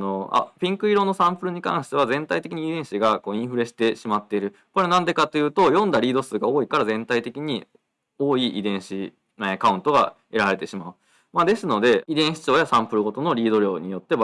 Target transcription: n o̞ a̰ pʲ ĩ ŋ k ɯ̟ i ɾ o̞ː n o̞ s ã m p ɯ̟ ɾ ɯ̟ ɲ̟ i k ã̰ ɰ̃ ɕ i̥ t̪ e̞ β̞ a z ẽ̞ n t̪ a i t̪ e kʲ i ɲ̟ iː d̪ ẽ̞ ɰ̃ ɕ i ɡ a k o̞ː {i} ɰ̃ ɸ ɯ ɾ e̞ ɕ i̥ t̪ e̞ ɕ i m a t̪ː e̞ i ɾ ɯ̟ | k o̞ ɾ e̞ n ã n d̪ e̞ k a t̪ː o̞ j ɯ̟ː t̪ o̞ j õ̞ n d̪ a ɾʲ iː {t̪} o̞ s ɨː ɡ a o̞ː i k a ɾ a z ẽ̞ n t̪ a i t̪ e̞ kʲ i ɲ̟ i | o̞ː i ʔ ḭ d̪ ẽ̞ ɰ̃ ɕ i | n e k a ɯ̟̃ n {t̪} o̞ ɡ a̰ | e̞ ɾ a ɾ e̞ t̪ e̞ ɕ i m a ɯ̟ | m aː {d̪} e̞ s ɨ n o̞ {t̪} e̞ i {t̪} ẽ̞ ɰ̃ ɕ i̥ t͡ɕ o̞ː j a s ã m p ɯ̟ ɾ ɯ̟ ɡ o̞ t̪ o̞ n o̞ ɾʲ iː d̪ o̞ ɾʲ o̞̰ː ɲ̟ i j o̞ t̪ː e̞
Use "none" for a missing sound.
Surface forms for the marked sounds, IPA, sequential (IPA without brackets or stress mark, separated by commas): ĩ, d̪, t̪, d̪, d̪, d̪